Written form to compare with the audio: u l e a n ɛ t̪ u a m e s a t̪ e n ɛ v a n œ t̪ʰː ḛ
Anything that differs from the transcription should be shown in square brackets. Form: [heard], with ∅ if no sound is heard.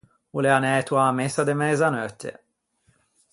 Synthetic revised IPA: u l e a n ɛ t̪ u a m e s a [d̪] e [m] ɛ [z] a n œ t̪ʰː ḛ